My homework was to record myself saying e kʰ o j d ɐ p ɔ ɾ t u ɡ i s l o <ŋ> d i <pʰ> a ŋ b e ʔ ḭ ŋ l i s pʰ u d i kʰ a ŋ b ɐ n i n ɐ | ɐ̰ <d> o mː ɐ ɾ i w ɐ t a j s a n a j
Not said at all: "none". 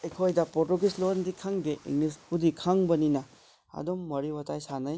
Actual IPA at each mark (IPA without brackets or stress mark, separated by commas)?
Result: n, kʰ, d